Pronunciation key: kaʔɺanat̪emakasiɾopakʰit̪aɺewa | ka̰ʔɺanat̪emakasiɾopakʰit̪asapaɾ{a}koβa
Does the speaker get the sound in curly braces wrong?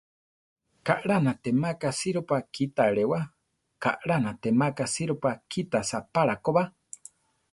no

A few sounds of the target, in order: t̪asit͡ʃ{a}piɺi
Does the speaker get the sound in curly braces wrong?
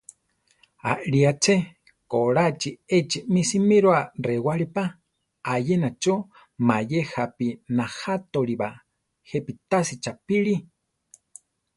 no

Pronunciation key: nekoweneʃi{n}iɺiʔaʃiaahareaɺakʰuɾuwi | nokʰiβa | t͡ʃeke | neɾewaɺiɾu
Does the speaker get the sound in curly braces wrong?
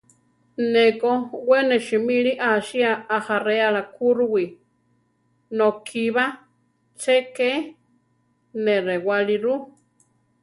yes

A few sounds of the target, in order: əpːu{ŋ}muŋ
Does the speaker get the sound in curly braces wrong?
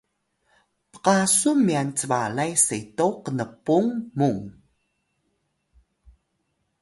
no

